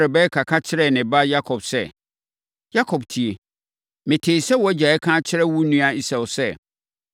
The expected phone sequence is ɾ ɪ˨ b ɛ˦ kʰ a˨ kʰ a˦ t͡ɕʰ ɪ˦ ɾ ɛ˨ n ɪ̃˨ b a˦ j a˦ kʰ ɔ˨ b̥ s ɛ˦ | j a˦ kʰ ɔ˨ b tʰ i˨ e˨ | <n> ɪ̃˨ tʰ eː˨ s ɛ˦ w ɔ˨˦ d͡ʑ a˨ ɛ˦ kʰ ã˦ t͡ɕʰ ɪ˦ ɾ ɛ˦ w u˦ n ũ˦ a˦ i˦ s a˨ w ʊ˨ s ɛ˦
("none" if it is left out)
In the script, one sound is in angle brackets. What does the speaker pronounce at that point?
m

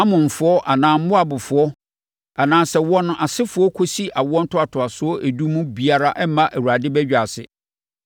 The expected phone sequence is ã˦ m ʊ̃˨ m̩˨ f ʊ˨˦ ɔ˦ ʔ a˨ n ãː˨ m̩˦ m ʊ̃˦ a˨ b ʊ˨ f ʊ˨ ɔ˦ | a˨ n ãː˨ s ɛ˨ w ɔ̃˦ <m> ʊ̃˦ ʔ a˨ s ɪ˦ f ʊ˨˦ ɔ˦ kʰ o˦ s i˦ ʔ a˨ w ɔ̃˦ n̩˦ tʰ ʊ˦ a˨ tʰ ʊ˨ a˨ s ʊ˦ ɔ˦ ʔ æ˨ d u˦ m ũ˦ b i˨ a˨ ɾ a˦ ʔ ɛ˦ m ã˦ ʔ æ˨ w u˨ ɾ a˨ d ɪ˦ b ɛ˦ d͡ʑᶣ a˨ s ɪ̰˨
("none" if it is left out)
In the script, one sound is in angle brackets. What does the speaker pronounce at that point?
n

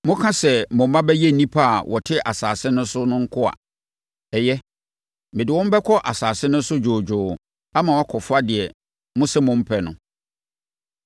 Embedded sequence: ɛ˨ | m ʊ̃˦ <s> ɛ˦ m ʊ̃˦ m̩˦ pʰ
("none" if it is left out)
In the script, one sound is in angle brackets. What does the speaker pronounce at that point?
s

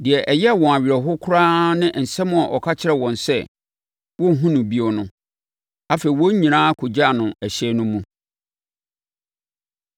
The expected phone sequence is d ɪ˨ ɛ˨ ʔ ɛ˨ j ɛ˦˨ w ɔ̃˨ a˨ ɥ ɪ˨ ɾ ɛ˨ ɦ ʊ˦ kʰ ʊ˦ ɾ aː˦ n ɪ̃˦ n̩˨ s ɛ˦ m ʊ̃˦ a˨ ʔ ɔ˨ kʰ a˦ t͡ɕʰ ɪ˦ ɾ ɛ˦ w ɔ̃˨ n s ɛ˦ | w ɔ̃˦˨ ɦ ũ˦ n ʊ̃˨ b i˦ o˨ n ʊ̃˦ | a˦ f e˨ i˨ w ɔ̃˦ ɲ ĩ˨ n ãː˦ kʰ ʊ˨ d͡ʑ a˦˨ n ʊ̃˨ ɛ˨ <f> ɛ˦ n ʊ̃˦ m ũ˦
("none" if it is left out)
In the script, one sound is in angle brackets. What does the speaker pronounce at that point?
ɕ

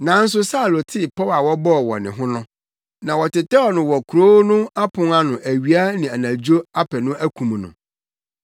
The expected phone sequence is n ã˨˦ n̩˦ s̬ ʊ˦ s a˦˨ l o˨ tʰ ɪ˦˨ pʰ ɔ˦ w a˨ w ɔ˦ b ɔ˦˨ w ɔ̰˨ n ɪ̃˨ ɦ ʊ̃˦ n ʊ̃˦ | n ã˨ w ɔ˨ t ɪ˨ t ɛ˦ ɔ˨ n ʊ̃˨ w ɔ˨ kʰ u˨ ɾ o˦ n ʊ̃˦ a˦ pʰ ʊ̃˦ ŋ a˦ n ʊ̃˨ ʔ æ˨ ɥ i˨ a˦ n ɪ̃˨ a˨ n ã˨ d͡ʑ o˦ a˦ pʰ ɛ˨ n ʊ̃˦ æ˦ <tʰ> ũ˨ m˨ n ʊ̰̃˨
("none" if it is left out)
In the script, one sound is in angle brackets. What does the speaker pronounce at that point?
kʰ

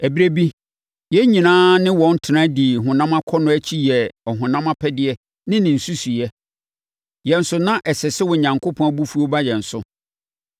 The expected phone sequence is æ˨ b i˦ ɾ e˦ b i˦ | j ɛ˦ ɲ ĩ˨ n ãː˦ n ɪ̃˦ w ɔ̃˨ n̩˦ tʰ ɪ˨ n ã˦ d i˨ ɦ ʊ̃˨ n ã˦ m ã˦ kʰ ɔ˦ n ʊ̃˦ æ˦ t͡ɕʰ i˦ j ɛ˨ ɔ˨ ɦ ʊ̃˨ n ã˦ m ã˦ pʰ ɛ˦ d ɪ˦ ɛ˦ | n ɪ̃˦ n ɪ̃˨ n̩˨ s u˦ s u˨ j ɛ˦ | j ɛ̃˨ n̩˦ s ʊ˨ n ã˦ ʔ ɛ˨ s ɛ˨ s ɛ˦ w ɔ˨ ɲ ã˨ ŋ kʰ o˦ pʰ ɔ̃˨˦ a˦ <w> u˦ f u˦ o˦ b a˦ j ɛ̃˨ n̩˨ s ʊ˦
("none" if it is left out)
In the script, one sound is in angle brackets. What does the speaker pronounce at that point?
b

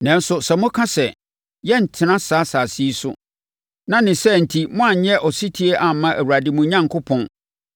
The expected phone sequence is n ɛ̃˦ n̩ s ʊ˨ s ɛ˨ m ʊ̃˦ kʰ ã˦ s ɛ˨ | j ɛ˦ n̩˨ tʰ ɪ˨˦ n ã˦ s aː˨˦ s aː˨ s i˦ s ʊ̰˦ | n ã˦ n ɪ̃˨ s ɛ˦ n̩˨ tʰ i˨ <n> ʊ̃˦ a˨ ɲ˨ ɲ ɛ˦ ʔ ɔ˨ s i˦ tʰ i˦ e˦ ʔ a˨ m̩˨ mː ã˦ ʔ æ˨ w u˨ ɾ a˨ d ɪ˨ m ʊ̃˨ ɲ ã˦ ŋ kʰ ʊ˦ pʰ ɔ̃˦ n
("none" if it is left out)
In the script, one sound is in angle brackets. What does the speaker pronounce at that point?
m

